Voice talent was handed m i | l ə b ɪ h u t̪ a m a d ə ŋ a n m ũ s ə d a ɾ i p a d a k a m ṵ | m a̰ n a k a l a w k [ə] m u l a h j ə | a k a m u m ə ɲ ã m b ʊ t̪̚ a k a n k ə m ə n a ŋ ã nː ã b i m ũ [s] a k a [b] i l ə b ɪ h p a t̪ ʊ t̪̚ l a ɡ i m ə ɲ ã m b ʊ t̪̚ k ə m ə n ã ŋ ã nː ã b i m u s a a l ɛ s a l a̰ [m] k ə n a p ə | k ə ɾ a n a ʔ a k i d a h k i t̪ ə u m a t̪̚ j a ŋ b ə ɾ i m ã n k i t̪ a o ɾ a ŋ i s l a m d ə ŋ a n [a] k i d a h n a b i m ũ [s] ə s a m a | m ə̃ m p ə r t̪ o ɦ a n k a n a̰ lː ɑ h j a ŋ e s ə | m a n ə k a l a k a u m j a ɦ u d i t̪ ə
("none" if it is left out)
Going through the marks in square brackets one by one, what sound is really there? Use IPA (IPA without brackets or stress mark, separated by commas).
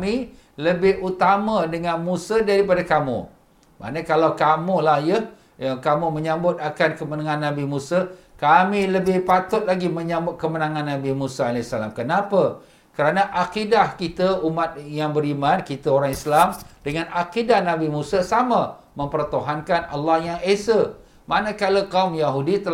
a, s, m, m, a, s